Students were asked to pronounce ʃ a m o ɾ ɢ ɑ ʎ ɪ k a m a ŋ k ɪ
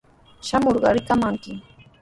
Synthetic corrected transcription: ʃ a m o ɾ ɢ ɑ ɾ ɪ k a m a ŋ k ɪ